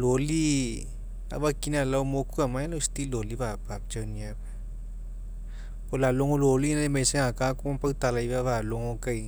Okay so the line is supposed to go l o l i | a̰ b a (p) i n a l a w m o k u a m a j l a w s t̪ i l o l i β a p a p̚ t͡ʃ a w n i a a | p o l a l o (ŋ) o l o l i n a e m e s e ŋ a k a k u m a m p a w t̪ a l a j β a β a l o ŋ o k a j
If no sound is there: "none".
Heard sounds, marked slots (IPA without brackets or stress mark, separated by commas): k, ŋ